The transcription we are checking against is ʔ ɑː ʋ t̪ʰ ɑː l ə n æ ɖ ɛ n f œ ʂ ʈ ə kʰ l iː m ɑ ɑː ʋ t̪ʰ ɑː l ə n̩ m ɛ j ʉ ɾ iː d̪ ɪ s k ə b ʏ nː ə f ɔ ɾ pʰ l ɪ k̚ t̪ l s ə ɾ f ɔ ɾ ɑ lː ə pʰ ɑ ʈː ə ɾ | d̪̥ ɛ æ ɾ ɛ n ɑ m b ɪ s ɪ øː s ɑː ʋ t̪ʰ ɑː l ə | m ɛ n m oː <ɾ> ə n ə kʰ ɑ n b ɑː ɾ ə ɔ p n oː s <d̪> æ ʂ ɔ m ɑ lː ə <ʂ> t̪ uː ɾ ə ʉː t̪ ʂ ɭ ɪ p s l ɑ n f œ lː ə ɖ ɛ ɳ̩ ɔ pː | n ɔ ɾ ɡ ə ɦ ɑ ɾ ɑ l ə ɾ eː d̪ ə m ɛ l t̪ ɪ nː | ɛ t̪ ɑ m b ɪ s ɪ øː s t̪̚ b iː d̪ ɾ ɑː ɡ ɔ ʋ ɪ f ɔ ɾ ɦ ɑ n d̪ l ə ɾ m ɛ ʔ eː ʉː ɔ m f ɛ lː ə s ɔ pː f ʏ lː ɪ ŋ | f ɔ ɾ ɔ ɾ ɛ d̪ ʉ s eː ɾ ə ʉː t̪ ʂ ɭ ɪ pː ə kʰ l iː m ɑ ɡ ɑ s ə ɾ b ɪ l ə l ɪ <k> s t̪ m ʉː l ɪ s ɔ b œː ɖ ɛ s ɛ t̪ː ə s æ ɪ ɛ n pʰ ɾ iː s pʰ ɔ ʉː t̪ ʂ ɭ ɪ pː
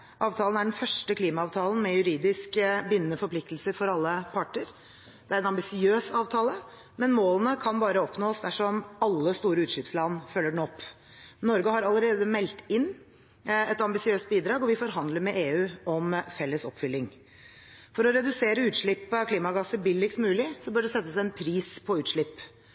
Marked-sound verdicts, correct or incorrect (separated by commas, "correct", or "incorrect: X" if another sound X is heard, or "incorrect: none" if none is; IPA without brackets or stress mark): incorrect: l, correct, incorrect: s, correct